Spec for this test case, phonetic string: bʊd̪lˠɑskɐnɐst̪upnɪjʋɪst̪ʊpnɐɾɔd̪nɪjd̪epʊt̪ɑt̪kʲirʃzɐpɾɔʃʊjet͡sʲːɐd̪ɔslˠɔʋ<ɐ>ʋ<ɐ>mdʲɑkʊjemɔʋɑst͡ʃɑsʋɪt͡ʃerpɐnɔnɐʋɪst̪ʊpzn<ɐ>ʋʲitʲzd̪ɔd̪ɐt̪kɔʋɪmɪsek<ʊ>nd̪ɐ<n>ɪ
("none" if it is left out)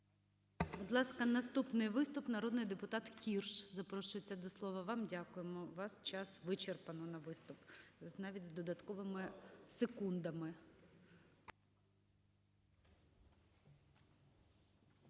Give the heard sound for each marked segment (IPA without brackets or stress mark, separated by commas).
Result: ɐ, ɑ, ɑ, u, m